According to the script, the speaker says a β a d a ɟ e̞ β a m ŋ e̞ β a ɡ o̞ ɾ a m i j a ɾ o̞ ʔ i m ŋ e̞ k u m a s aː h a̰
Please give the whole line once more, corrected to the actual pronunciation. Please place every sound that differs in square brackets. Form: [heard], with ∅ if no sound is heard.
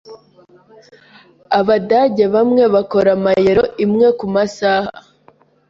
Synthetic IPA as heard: a β a d a ɟ e̞ β a m ŋ e̞ β a [k] o̞ ɾ a m [a] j [e] ɾ o̞ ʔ i m ŋ e̞ k u m a s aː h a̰